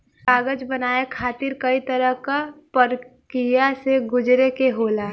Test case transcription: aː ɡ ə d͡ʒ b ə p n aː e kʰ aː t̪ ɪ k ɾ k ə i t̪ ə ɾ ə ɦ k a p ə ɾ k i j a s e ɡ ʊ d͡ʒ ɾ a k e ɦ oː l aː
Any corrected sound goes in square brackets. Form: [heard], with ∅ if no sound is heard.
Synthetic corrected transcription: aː ɡ ə d͡ʒ b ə [∅] n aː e kʰ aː t̪ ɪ [∅] ɾ k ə i t̪ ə ɾ ə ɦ k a p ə ɾ k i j a s e ɡ ʊ d͡ʒ ɾ [e] k e ɦ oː l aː